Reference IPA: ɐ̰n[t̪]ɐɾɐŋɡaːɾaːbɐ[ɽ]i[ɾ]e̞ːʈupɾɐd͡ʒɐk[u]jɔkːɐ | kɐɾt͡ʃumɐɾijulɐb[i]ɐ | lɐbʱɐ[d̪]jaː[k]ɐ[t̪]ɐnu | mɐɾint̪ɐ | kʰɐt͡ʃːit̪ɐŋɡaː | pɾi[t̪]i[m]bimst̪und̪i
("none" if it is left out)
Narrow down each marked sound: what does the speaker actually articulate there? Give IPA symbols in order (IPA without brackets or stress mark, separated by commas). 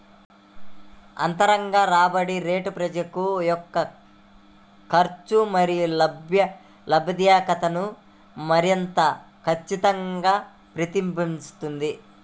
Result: t̪, ɽ, ɾ, u, j, d̪, k, t̪, t̪, m